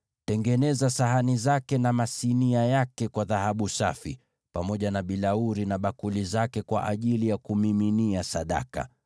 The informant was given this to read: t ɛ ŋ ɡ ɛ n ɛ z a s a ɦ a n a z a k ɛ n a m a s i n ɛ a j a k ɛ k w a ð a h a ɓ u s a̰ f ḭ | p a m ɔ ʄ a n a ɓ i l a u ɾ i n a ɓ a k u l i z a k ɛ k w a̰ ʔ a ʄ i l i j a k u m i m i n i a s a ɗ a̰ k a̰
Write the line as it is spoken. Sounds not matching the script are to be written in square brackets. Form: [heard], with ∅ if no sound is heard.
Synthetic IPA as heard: t ɛ ŋ ɡ ɛ n ɛ z a s a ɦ a n [i] z a k ɛ n a m a s i n [i] a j a k ɛ k w a ð a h a ɓ u s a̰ f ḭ | p a m ɔ ʄ a n a ɓ i l a u ɾ i n a ɓ a k u l i z a k ɛ k w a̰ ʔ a ʄ i l i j a k u m i m i n i a s a ɗ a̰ k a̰